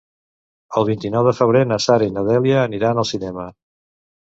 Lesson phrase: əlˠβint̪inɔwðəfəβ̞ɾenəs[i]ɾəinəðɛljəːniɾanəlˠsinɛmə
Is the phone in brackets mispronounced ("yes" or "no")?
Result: yes